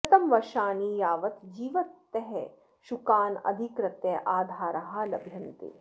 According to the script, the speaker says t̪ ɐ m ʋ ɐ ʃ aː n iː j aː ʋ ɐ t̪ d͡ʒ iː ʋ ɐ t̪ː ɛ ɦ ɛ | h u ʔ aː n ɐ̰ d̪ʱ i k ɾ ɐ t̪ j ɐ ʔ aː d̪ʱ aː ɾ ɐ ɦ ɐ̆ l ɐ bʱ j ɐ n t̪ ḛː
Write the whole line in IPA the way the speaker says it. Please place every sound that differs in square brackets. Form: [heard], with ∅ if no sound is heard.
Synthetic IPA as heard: t̪ ɐ m ʋ ɐ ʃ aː n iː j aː ʋ ɐ t̪ d͡ʒ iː ʋ ɐ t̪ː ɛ ɦ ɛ | [ʃ] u [k] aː n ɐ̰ d̪ʱ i k ɾ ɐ t̪ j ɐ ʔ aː d̪ʱ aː ɾ ɐ ɦ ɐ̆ l ɐ bʱ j ɐ n t̪ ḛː